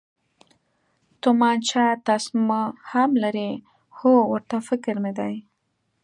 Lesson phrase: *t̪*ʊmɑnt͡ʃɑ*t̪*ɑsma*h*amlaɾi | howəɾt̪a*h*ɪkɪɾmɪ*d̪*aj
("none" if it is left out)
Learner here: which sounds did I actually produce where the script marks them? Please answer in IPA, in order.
t̪, t̪, h, f, d̪

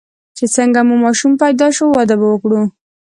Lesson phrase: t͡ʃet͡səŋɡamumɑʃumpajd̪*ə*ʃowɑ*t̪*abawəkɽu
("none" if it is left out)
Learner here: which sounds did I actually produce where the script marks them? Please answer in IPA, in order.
ɑ, d̪

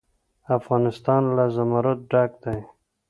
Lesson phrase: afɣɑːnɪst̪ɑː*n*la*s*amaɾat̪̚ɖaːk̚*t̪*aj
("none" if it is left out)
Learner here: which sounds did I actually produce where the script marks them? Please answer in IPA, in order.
n, z, d̪

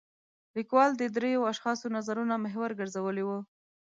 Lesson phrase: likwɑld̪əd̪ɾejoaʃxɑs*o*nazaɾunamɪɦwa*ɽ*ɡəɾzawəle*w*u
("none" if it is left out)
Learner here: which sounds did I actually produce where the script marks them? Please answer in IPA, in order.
o, ɾ, w

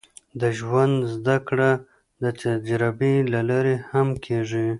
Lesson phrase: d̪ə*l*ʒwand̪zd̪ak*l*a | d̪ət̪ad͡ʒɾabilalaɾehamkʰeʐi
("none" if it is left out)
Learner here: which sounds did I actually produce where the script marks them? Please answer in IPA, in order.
none, ɽ

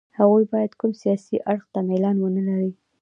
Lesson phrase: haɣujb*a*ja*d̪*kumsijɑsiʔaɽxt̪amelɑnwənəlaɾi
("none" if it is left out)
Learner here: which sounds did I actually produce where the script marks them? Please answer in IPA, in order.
ɑ, d̪

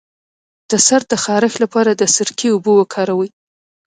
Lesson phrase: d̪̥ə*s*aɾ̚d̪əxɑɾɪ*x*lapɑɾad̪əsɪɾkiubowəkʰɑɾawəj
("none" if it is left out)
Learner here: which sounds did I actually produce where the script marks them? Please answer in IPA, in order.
s, x

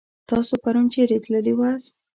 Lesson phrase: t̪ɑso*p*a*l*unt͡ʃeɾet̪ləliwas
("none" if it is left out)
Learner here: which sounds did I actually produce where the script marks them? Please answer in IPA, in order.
p, ɾ

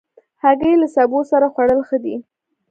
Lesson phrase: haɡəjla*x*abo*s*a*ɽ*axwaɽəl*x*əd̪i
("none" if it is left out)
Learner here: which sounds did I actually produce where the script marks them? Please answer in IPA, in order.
s, s, ɾ, x

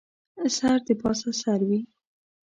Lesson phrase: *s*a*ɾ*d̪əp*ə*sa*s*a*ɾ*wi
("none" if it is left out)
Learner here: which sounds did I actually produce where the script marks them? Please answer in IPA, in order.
s, ɾ, ɑ, s, ɾ

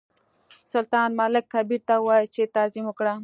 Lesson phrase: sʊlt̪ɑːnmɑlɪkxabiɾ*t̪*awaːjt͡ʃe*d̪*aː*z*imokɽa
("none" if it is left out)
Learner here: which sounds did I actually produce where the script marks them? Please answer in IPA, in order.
t̪, t̪, z

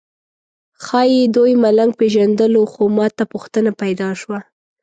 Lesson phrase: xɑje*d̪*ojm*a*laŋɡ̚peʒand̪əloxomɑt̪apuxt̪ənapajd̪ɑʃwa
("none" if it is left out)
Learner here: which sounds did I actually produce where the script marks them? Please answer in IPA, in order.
d̪, a

